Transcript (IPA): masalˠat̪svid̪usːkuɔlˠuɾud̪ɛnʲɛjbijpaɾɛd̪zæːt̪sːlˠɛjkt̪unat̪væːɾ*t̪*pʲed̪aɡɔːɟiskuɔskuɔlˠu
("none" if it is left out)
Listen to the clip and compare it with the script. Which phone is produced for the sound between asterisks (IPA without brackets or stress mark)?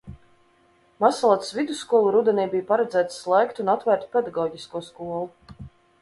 t̪